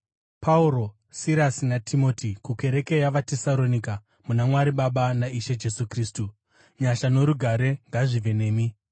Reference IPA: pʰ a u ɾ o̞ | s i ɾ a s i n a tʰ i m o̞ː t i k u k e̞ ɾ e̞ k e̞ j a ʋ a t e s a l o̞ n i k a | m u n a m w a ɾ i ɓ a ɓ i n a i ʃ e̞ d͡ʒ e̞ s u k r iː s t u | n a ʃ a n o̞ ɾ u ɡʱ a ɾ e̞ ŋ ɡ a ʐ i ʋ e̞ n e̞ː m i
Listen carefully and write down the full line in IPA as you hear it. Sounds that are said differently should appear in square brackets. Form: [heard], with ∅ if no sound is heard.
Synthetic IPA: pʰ a u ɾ o̞ | s i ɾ a s i n a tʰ i m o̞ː t i k u k e̞ ɾ e̞ k e̞ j a ʋ a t e s a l o̞ n i k a | m u n a m w a ɾ i ɓ a ɓ [a] n a i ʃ e̞ d͡ʒ e̞ s u k r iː s t u | [ɲ] a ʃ a n o̞ ɾ u ɡʱ a ɾ e̞ ŋ ɡ a ʐ i ʋ e̞ n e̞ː m i